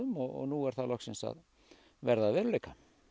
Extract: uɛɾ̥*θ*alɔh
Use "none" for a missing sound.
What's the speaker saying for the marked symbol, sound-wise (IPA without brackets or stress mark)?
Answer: θ